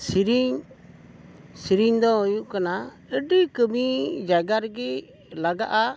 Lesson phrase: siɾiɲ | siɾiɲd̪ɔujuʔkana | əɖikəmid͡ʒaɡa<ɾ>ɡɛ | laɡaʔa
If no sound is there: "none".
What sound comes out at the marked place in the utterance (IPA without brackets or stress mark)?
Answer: ɾ